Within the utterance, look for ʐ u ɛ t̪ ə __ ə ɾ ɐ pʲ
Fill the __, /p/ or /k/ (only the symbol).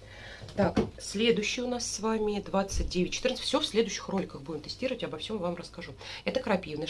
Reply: k